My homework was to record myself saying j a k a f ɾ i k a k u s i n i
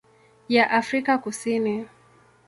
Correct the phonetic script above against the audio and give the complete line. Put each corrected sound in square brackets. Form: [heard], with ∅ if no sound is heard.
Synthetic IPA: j a [ʔ] a f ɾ i k a k u s i n i